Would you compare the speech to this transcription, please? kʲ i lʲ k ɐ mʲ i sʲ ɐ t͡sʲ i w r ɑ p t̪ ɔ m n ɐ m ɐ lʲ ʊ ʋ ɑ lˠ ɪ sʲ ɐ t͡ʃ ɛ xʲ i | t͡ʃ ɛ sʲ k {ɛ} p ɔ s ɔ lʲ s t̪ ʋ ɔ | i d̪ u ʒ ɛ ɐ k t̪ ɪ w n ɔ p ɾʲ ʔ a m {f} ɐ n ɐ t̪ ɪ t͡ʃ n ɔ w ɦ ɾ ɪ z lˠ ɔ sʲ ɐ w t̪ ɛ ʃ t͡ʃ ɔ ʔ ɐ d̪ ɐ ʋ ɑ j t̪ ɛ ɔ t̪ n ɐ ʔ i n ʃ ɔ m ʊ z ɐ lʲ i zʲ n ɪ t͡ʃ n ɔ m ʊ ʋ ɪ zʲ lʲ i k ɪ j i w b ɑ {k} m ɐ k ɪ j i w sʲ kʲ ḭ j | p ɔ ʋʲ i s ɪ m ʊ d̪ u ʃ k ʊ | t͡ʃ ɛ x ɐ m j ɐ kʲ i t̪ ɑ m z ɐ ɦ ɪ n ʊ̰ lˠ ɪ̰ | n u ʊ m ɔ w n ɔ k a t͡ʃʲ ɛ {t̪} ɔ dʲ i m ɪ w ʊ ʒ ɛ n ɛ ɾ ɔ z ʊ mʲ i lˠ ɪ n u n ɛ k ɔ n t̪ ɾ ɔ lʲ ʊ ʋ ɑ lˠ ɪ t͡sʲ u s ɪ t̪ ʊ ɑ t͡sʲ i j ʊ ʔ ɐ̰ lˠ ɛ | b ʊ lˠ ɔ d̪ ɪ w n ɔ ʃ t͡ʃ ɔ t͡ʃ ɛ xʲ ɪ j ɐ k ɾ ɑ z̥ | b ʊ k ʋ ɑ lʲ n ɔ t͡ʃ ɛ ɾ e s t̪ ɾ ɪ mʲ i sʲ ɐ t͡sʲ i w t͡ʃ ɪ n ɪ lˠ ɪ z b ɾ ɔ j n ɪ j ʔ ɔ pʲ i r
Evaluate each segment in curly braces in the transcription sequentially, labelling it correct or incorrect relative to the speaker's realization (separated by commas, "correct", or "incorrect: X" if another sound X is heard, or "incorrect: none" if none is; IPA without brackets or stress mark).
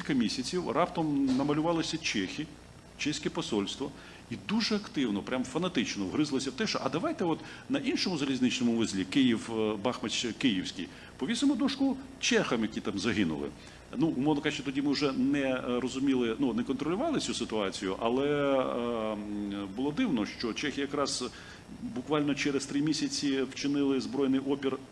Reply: correct, correct, incorrect: x, correct